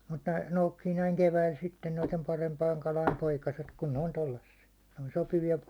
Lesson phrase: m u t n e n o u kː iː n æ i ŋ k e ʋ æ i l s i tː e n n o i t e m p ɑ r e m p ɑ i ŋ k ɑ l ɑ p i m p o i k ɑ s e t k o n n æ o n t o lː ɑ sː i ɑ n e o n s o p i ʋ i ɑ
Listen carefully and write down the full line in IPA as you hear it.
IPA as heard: m u t n e n o u kː iː n æ i ŋ k e ʋ æ i l s i tː e n n o i t e m p ɑ r e m p ɑ i ŋ k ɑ l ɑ i m p o i k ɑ s e t k u n n e o n t o lː ɑ sː i ɑ n e o n s o p i ʋ i ɑ

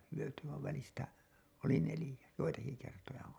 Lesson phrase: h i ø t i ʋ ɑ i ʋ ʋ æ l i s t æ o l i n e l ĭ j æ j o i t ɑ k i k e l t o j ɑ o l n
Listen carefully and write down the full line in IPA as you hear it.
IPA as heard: h y ø t y ʋ ɑ i ʋ ʋ æ l i s t æ o l i n e l ĭ j æ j o i t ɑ k i k e r t o j ɑ o n

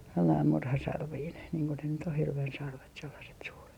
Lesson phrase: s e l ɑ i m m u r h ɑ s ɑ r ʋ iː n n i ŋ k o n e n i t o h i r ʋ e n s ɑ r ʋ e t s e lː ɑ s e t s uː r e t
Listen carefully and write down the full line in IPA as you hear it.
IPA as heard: s e lː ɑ i m m u r h ɑ s ɑ r ʋ iː n n iː ŋ k o n e n y t o h i r ʋ e n s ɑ r ʋ e t s e lː ɑ s e t s uː r e t

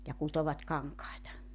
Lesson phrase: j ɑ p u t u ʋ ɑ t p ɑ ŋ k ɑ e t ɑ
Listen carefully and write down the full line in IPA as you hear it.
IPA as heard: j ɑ k u t o ʋ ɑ t k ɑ ŋ k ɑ e t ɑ

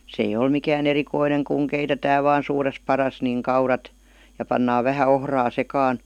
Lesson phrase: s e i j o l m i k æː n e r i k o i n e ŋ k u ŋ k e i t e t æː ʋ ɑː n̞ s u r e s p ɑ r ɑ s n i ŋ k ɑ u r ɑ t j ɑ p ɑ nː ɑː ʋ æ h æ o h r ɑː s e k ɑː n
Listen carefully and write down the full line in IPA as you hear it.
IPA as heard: s e i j o l m i k æː n e r i k o i n e ŋ k u ŋ k e i t e t æː ʋ ɑː n̞ s uː r e s p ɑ r ɑ s n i ŋ k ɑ u r ɑ t j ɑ p ɑ nː ɑː ʋ æ h æ o h r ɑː s e k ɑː n

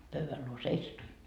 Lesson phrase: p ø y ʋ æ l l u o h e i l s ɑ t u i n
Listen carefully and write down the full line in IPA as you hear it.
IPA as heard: p ø y ʋ æ l l u o s e i s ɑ t u i n

